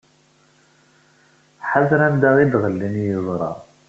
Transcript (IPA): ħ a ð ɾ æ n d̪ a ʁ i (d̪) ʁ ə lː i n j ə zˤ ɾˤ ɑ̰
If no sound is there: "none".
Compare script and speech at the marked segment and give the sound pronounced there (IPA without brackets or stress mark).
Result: d̪